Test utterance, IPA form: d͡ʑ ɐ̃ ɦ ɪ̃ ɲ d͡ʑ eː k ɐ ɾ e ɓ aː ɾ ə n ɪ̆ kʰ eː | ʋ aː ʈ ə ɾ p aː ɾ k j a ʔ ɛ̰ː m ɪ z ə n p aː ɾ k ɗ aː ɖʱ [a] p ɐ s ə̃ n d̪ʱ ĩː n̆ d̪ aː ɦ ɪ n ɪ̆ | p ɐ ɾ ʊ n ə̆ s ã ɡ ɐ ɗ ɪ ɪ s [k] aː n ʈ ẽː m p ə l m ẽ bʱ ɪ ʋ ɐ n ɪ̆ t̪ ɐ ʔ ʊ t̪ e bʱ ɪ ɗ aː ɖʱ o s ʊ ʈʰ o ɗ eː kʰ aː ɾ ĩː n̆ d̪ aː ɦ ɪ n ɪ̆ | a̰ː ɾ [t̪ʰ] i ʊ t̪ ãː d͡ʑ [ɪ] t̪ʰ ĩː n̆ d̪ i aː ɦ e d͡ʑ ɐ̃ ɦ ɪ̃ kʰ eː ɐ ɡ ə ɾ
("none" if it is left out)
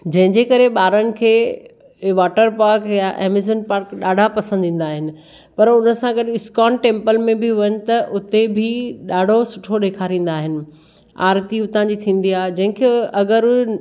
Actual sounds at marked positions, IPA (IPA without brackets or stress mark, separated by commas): a, k, t̪, i